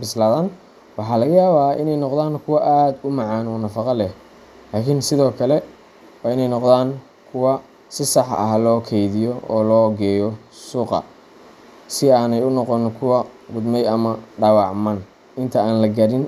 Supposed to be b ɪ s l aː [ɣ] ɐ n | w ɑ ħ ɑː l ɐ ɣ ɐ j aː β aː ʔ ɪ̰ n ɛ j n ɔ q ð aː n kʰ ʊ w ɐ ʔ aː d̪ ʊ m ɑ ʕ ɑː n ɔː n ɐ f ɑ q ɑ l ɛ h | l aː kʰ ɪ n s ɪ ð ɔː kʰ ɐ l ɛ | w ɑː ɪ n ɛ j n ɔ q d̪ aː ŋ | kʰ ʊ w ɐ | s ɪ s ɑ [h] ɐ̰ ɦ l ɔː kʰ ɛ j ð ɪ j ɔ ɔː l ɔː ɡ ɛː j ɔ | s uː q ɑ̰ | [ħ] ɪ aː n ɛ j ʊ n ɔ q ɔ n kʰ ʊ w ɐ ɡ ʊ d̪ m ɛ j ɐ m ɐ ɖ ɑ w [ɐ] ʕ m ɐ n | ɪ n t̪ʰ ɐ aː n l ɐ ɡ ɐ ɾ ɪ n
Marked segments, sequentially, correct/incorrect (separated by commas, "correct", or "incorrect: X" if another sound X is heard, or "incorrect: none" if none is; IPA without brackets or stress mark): incorrect: ð, incorrect: ħ, incorrect: s, incorrect: ɑ